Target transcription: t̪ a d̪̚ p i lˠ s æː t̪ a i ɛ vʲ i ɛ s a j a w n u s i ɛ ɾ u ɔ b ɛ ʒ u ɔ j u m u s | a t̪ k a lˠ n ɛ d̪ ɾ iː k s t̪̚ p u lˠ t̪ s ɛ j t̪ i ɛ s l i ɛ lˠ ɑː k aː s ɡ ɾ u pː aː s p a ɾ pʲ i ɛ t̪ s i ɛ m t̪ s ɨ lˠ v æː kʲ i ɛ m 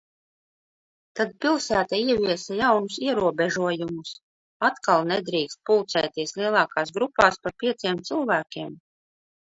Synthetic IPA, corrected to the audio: t̪ a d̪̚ p i lˠ s æː t̪ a i ɛ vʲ i ɛ s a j a w n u s i ɛ ɾ u ɔ b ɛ ʒ u ɔ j u m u s | a t̪ k a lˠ n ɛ d̪ ɾ iː k s t̪̚ p u lˠ t̪ s ɛ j t̪ i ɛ s l i ɛ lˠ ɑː k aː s ɡ ɾ u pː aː s p a ɾ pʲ i ɛ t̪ s i ɛ m t̪ s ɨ lˠ v æː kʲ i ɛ m